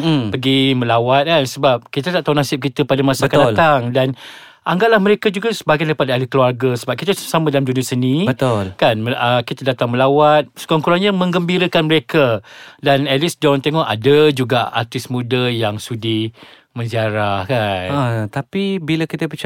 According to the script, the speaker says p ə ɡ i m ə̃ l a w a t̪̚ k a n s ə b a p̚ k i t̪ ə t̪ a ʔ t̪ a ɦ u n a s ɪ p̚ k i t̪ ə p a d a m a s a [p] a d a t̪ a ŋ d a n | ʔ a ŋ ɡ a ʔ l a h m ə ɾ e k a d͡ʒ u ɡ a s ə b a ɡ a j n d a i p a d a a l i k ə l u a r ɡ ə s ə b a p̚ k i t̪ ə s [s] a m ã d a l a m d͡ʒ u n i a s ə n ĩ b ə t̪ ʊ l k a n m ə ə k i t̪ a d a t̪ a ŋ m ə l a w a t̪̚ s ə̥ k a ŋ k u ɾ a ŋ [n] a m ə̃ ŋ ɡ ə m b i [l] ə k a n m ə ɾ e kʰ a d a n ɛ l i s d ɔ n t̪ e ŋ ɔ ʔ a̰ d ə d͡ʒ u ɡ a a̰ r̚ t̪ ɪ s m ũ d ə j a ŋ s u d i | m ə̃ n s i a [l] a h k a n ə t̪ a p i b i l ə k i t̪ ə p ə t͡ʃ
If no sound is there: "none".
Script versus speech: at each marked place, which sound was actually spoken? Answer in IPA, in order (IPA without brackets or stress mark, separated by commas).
k, s, ɲ, ɾ, ɾ